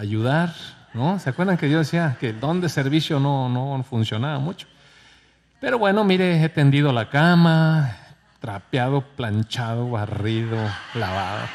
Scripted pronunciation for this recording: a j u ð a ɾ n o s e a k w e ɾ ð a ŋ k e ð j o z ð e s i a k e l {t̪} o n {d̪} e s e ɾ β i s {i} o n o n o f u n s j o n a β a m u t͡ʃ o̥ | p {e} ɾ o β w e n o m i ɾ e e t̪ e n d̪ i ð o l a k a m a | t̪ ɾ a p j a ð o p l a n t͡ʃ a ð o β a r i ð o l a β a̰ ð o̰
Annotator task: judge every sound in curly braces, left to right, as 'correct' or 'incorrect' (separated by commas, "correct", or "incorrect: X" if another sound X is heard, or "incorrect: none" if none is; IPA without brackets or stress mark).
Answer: incorrect: d̪, correct, incorrect: j, correct